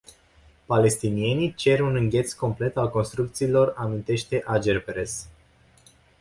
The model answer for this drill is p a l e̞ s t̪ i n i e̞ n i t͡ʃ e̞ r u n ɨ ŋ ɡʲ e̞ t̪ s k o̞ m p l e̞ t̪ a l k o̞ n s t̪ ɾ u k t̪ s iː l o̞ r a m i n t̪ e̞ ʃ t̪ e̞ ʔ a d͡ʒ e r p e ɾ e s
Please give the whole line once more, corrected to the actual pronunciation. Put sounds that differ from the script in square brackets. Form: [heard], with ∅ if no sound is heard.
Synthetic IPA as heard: p a l e̞ s t̪ i n i e̞ n i t͡ʃ e̞ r u n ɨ ŋ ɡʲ e̞ t̪ s k o̞ m p l e̞ t̪ a l k o̞ n s t̪ ɾ u k t̪ s iː l o̞ r a m i n t̪ e̞ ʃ t̪ e̞ ʔ a d͡ʒ e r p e ɾ e s